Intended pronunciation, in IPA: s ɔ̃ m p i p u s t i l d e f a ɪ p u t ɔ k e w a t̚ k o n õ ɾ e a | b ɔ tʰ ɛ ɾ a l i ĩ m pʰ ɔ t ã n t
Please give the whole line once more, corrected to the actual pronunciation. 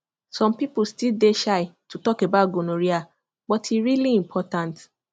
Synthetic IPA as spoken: s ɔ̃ m p i p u s t i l d e ʃ a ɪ t u t ɔ k e b a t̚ ɡ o n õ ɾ i a | b ɔ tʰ i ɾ i l i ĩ m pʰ ɔ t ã n t